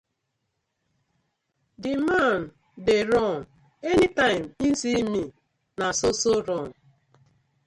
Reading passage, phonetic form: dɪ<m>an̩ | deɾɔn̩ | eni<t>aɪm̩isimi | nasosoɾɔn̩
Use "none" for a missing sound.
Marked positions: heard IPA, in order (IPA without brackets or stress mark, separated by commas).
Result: m, t